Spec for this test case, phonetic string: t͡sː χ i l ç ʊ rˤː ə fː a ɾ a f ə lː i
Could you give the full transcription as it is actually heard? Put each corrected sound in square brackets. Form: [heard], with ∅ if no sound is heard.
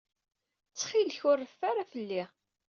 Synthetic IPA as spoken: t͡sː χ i l ç ʊ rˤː ə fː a ɾ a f ə lː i